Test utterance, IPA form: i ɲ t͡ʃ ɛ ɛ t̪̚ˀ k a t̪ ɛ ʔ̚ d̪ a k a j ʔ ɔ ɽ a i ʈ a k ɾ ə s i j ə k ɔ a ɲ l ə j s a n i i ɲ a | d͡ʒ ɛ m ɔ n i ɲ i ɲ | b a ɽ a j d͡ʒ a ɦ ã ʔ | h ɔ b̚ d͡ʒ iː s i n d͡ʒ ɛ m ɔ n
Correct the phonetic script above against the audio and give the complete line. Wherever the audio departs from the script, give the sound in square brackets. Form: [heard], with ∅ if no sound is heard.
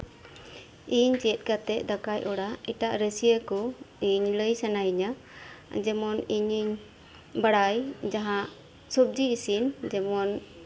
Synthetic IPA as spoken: i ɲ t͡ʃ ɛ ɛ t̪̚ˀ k a t̪ ɛ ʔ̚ d̪ a k a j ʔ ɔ ɽ a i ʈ a [ʔ] ɾ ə s i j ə k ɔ [i] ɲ l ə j s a n [a] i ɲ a | d͡ʒ ɛ m ɔ n i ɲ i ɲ | b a ɽ a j d͡ʒ a ɦ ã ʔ | [s] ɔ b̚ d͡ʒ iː s i n d͡ʒ ɛ m ɔ n

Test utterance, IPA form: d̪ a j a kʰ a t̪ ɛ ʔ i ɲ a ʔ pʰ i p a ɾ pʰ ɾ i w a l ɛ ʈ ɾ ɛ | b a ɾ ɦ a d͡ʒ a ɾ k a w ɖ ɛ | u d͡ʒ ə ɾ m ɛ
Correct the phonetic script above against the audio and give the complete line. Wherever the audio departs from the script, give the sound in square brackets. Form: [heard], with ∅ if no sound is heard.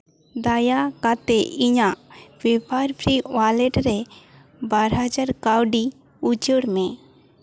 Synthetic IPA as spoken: d̪ a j a [k] a t̪ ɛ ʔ i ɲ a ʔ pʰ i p a ɾ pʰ ɾ i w a l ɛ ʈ ɾ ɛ | b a ɾ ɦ a d͡ʒ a ɾ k a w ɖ [i] | u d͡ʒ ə [ɽ] m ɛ

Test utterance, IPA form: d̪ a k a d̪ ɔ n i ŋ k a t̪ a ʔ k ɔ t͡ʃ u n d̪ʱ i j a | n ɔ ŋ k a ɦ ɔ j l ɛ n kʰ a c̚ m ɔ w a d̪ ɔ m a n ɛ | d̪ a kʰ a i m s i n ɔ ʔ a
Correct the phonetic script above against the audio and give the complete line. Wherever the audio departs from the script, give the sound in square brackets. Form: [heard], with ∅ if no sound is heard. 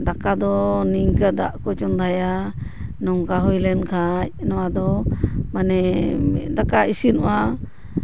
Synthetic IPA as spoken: d̪ a k a d̪ ɔ n i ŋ k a [d̪] a ʔ k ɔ t͡ʃ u n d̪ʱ [a] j a | n ɔ ŋ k a ɦ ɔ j l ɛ n kʰ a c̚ [n] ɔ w a d̪ ɔ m a n ɛ | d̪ a [k] a i [∅] s i n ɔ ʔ a

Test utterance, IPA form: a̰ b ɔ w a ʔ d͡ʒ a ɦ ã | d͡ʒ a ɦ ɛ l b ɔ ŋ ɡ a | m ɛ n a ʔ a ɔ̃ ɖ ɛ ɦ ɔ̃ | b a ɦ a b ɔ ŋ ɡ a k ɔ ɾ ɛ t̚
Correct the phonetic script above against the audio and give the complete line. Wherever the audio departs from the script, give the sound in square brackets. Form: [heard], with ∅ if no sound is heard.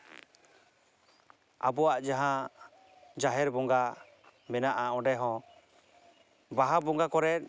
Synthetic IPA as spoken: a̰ b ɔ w a ʔ d͡ʒ a ɦ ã | d͡ʒ a ɦ ɛ [ɾ] b ɔ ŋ ɡ a | m ɛ n a ʔ a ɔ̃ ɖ ɛ ɦ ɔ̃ | b a ɦ a b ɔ ŋ ɡ a k ɔ ɾ ɛ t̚

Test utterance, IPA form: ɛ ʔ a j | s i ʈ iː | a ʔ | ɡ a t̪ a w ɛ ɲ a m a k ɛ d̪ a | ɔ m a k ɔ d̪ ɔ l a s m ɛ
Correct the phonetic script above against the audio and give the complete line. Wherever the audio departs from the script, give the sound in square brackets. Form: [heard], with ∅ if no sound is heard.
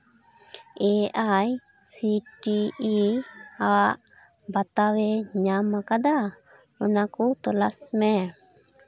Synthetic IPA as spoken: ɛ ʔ a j | s i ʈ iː | a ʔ | [b] a t̪ a w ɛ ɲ a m a k [a] d̪ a | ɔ [n] a k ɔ [t̪] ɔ l a s m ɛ

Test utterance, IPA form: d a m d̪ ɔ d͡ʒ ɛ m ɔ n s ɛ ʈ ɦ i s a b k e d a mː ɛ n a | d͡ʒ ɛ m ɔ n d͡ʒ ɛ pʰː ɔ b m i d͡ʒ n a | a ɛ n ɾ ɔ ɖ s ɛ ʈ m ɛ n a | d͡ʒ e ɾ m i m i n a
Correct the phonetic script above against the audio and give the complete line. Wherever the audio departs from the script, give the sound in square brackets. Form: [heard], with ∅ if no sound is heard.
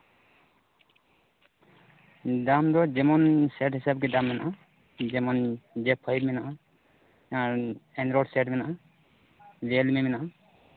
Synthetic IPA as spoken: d a m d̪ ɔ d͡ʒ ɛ m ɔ n s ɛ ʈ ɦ i s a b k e d a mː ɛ n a | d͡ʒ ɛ m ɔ n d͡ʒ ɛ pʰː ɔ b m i [∅] n a | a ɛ n ɾ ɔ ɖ s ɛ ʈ m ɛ n a | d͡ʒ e [l] m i m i n a

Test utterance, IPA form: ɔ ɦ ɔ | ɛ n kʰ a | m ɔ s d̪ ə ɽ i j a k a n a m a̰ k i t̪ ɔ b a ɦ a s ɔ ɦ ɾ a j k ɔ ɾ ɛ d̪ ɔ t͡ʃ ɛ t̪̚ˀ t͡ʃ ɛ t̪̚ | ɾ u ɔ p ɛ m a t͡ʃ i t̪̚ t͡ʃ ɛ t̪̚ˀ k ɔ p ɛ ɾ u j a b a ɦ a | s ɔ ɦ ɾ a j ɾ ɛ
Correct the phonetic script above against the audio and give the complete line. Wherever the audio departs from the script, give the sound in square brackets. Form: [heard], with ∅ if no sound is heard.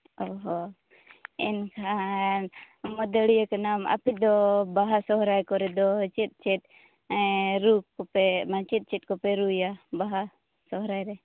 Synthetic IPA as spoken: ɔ ɦ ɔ | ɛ n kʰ a | m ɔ [∅] d̪ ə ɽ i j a k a n a m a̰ [p] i [d̪] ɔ b a ɦ a s ɔ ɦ ɾ a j k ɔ ɾ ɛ d̪ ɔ t͡ʃ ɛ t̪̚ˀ t͡ʃ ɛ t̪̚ | ɾ u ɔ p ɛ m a t͡ʃ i t̪̚ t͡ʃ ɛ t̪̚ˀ k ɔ p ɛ ɾ u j a b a ɦ a | s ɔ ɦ ɾ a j ɾ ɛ

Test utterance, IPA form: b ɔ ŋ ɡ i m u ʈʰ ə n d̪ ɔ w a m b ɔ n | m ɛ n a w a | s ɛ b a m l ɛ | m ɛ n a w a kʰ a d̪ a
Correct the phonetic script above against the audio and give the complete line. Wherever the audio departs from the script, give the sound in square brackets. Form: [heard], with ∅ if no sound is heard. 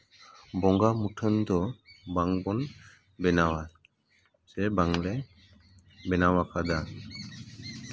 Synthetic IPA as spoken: b ɔ ŋ ɡ [a] m u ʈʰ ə n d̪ ɔ [b] a [ŋ] b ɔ n | [b] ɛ n a w a | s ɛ b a [ŋ] l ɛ | [b] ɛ n a w a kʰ a d̪ a

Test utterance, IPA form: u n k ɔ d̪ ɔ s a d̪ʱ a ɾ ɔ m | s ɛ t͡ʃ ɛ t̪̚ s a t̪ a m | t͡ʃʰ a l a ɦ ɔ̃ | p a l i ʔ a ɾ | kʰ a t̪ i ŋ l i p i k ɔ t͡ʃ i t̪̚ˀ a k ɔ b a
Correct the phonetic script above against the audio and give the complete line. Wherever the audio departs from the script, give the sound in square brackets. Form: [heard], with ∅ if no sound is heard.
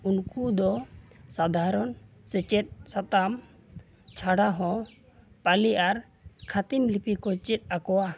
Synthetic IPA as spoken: u n k [u] d̪ ɔ s a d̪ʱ a ɾ ɔ [n] | s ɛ t͡ʃ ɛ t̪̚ s a t̪ a m | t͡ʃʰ a [ɽ] a ɦ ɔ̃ | p a l i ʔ a ɾ | kʰ a t̪ i [m] l i p i k ɔ t͡ʃ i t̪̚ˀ a k ɔ [w] a

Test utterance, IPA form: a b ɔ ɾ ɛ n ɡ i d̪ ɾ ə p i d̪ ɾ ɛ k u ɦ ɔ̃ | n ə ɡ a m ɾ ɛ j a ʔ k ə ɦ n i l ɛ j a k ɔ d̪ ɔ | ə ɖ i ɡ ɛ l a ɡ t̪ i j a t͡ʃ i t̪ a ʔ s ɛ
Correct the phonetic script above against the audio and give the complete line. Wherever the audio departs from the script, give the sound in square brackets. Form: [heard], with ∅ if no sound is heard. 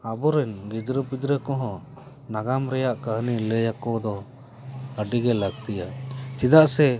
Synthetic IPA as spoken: a b ɔ ɾ ɛ n ɡ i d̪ ɾ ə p i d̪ ɾ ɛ k [ɔ] ɦ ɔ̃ | n [a] ɡ a m ɾ ɛ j a ʔ k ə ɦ n i l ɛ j a k ɔ d̪ ɔ | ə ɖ i ɡ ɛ l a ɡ t̪ i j a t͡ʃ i [d̪] a ʔ s ɛ

